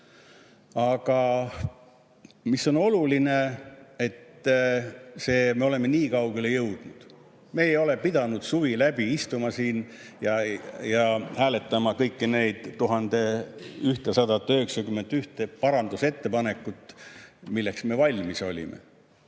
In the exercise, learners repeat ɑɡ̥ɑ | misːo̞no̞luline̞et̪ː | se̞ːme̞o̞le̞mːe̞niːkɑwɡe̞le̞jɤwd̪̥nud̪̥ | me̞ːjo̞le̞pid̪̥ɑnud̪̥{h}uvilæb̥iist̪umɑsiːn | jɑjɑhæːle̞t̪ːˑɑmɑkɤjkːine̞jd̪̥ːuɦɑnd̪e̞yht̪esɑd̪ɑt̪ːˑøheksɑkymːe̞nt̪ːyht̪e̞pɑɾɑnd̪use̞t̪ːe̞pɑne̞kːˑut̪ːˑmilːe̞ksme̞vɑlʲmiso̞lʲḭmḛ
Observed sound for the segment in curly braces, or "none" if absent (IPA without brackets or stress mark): s